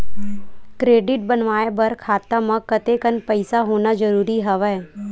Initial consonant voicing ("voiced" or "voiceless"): voiceless